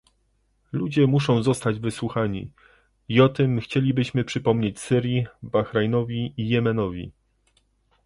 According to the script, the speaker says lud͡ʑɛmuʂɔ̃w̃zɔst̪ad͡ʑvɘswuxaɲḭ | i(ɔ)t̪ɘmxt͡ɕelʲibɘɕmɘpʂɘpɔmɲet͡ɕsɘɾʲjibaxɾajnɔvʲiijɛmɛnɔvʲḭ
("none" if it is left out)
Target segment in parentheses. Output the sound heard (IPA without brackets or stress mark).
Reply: ɔ